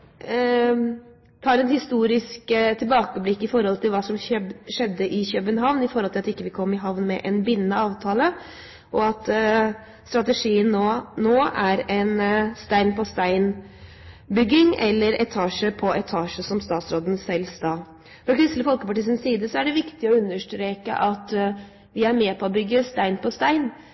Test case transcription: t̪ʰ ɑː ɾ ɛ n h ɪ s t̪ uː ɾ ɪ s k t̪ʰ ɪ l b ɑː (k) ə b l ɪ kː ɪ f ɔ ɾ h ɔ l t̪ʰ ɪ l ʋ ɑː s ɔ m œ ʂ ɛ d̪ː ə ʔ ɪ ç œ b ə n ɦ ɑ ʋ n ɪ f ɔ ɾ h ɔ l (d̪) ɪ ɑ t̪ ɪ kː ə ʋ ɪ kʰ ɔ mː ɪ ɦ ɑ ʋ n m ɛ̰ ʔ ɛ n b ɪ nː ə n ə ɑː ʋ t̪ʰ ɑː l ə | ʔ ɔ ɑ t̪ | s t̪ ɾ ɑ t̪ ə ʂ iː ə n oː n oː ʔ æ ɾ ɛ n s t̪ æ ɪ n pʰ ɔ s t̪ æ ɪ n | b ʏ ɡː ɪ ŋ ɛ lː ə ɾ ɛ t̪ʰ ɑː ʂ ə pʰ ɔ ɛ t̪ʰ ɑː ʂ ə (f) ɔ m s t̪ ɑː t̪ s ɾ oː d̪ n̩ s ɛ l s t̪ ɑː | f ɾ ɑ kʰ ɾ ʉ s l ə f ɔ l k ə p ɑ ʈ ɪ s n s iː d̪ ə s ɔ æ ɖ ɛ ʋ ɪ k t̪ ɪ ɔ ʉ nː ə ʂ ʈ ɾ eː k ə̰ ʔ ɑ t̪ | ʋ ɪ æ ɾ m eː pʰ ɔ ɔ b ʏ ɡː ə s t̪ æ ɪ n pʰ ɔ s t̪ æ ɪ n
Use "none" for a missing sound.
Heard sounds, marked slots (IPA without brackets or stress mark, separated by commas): k, t̪, s